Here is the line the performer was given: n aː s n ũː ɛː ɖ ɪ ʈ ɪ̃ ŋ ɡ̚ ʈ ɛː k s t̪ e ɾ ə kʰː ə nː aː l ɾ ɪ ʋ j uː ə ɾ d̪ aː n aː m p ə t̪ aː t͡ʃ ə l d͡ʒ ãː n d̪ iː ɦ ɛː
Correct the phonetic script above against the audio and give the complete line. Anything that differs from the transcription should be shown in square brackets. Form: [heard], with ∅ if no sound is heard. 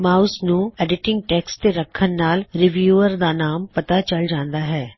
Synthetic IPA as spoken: [m] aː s n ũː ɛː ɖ ɪ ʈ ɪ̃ ŋ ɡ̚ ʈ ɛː k s t̪ e ɾ ə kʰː ə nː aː l ɾ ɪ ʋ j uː ə ɾ d̪ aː n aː m p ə t̪ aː t͡ʃ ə l d͡ʒ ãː n d̪ [aː] ɦ ɛː